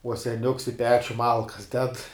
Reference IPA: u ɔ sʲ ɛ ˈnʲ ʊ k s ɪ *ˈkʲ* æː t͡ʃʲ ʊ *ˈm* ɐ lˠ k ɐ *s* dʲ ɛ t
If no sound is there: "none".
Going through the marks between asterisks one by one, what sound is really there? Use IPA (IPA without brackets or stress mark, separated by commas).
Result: pʲ, m, s